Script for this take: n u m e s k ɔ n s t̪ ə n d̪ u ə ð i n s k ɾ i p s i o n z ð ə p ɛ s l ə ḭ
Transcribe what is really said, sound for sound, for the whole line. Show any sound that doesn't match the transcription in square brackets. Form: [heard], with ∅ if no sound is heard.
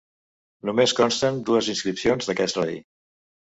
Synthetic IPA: n u m e s k ɔ n s t̪ ə n d̪ u ə [z] i n s k ɾ i p s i o n z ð ə [k] ɛ s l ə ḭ